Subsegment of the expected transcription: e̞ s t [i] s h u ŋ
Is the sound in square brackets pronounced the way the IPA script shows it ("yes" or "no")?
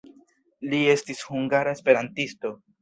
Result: yes